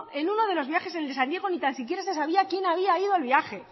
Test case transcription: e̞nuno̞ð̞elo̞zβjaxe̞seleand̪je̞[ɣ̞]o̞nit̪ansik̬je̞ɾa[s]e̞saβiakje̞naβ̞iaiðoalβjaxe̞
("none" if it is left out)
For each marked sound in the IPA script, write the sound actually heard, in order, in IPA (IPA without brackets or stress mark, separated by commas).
ɣ̞, s